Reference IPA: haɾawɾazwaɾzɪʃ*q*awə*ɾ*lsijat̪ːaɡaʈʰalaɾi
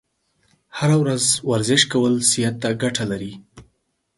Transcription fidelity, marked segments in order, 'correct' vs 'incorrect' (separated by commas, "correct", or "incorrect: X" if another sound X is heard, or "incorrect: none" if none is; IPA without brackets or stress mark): incorrect: k, incorrect: none